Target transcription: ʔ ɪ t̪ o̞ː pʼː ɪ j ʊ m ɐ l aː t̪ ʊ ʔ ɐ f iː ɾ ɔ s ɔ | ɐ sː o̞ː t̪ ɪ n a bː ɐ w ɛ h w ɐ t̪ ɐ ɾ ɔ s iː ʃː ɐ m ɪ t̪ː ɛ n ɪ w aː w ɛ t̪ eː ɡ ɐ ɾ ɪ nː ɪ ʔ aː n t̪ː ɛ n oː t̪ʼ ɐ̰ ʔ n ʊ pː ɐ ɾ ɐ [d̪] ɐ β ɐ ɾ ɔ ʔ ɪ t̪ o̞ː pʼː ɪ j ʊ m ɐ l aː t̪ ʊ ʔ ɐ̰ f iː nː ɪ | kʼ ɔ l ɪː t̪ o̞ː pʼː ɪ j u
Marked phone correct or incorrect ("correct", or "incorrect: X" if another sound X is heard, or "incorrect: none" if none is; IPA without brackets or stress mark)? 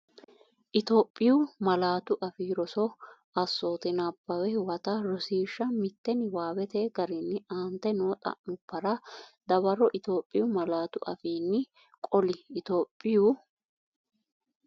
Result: correct